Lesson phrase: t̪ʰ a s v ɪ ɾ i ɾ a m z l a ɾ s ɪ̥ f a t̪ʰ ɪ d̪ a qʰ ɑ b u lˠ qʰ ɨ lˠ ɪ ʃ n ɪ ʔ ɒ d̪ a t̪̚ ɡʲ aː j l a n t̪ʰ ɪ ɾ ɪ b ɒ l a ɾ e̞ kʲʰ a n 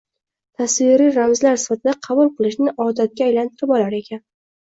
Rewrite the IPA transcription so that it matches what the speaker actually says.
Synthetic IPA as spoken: t̪ʰ a s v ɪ ɾ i ɾ a m z l a ɾ s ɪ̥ f a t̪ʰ ɪ d̪ a qʰ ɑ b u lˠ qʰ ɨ lˠ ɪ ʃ n ɪ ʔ ɒ d̪ a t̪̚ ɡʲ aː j l a n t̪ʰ ɪ ɾ ɪ b ɒ l a ɾ e̞ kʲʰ a n